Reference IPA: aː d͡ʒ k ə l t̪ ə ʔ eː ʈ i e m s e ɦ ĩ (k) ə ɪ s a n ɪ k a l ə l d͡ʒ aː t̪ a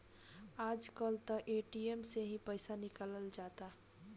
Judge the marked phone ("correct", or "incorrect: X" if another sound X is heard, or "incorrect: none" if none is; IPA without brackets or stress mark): incorrect: p